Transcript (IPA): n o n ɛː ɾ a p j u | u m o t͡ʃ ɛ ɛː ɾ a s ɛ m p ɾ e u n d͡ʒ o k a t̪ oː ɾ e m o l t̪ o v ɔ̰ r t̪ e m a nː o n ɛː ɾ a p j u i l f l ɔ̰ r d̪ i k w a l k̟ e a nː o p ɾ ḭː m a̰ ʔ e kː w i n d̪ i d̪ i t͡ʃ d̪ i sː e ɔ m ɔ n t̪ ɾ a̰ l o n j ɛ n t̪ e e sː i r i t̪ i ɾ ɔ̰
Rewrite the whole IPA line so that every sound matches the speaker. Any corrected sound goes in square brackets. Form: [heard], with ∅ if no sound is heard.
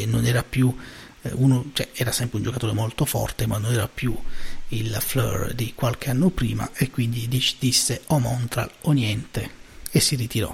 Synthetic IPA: n o n ɛː ɾ a p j u | u [n] o t͡ʃ ɛ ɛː ɾ a s ɛ m p ɾ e u n d͡ʒ o k a t̪ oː ɾ e m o l t̪ o [f] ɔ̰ r t̪ e m a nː o n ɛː ɾ a p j u i l f l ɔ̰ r d̪ i k w a l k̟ e a nː o p ɾ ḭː m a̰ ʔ e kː w i n d̪ i d̪ i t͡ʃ d̪ i sː e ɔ m ɔ n t̪ ɾ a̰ l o n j ɛ n t̪ e e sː i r i t̪ i ɾ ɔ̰